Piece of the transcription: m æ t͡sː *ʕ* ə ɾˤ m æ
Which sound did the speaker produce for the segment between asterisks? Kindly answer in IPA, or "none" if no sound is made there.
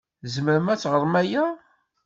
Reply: ʁ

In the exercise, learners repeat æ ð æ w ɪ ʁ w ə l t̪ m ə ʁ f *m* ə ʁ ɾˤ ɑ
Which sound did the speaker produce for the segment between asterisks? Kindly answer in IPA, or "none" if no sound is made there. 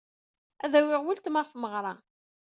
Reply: m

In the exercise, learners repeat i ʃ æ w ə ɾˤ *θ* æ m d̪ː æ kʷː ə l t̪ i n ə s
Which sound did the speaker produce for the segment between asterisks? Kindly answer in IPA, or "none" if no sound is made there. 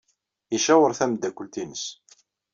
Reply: θ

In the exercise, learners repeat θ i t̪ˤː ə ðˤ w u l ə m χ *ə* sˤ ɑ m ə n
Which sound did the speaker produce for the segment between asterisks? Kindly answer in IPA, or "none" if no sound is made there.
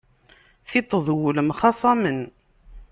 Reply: ɑ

